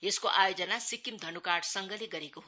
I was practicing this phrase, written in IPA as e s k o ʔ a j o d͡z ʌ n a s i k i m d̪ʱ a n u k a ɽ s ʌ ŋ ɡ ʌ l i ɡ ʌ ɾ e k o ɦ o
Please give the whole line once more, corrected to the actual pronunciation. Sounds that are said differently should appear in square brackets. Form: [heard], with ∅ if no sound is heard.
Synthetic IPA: e s k o ʔ a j o d͡z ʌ n a s i k i m d̪ʱ [ʌ] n u k a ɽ s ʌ ŋ ɡ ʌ l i ɡ ʌ ɾ e k o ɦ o